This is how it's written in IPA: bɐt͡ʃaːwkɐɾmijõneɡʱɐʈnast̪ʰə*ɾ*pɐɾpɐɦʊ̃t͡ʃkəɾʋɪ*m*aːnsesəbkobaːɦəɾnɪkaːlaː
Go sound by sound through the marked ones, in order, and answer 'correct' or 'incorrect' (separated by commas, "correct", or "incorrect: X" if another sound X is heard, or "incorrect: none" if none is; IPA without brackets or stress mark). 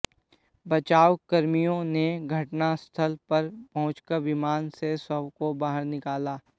incorrect: l, correct